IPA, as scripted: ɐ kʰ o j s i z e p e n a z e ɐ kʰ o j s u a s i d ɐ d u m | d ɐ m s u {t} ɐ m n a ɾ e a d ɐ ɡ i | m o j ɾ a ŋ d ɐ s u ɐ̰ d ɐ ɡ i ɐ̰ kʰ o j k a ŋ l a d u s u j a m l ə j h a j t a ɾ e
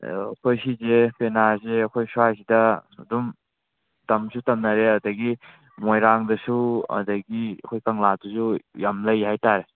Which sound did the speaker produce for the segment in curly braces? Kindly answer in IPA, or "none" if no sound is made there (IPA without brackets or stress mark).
t